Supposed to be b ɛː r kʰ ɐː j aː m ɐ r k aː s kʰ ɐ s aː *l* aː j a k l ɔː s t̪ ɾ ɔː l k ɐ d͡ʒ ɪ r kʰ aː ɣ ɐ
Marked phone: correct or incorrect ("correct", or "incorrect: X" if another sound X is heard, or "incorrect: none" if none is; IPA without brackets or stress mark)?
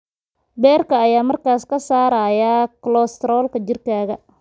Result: incorrect: ɾ